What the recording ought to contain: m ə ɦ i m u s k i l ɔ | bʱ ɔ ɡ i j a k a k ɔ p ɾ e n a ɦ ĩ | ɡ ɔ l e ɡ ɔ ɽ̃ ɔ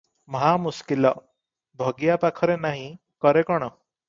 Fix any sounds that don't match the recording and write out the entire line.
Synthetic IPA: m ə ɦ a m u s k i l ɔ | bʱ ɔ ɡ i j a p a kʰ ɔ ɾ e n a ɦ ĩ | k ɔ ɾ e k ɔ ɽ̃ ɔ